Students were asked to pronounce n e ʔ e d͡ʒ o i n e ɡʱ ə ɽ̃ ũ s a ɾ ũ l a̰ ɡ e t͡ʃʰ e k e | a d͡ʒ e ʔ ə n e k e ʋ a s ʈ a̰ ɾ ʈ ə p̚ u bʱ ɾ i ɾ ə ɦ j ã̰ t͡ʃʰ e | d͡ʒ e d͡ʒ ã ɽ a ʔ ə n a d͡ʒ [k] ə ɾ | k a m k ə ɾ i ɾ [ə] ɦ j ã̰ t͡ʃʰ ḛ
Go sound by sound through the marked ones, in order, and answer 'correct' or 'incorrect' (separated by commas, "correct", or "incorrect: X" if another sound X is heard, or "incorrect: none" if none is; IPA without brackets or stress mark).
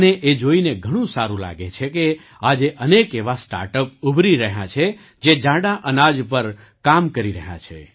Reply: incorrect: p, correct